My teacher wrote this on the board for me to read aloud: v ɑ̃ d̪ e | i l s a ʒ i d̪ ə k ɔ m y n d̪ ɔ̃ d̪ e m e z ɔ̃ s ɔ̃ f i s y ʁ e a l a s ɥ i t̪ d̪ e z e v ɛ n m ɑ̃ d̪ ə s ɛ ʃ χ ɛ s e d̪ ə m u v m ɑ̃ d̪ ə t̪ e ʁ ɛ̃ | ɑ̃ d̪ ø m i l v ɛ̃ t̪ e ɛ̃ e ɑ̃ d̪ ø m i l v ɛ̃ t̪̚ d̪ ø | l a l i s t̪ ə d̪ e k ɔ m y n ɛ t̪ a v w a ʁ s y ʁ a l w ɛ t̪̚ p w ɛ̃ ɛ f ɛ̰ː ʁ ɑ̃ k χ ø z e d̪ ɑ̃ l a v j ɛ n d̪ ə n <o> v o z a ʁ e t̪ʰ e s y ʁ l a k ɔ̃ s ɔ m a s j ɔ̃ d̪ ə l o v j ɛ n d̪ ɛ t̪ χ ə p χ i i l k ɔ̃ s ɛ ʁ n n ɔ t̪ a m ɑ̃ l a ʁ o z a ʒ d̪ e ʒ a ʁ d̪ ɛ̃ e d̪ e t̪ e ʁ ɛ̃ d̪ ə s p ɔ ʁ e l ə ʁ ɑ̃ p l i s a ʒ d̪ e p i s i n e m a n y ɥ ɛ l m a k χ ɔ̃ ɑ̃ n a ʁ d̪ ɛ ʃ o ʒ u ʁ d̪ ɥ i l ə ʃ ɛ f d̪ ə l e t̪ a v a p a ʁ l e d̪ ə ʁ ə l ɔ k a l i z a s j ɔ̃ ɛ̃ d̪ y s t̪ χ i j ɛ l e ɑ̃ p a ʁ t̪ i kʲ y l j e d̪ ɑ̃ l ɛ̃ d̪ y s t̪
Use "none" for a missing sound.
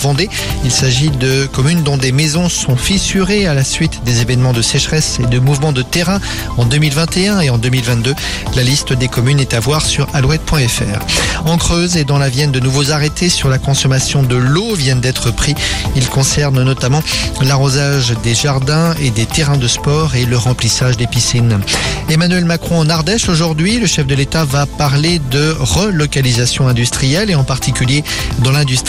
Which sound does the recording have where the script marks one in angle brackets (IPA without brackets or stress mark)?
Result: u